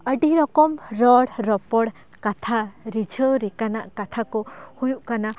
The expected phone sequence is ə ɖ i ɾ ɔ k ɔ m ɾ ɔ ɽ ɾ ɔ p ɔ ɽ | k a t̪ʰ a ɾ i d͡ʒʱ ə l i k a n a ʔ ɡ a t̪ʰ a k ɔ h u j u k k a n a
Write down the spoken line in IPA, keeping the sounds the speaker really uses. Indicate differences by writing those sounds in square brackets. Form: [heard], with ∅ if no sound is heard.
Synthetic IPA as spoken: ə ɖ i ɾ ɔ k ɔ m ɾ ɔ ɽ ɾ ɔ p ɔ ɽ | k a t̪ʰ a ɾ i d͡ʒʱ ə [ɾ] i k a n a ʔ [k] a t̪ʰ a k ɔ h u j u [ʔ] k a n a